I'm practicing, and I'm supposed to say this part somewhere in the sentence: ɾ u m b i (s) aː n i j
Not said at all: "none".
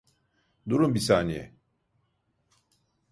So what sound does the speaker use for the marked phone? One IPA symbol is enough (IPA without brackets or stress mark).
s